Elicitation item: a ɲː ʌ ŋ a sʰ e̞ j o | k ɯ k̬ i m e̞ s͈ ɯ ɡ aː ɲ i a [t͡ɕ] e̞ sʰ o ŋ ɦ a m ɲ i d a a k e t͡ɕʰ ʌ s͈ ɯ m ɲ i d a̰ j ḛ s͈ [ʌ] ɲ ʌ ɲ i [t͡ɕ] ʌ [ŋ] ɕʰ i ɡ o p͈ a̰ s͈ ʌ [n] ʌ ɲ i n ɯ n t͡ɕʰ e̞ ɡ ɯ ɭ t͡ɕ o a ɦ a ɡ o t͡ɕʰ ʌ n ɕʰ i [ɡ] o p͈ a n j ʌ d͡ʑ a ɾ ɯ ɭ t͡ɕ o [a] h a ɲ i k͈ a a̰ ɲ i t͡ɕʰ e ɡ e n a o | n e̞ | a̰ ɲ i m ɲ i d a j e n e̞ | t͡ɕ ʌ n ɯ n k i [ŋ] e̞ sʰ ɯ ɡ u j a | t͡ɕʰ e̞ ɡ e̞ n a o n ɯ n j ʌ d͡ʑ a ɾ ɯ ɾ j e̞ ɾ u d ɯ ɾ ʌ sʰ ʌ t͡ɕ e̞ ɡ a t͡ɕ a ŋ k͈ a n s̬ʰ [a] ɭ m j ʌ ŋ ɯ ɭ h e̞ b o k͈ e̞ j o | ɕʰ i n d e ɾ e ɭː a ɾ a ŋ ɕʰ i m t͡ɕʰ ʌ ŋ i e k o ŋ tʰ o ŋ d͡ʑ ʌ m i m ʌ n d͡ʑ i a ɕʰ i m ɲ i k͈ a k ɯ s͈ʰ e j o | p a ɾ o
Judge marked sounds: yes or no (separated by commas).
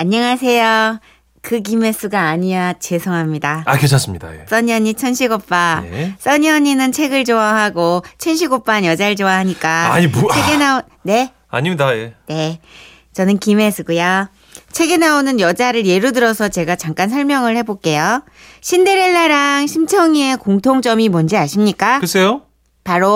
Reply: yes, yes, no, no, no, yes, yes, no, no